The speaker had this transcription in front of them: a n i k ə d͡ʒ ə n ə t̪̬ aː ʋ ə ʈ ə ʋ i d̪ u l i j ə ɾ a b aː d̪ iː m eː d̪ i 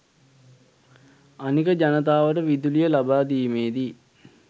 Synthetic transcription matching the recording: a n i k ə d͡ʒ a n ə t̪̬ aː ʋ ə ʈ ə ʋ i d̪ u l i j ə l a b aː d̪ iː m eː d̪ i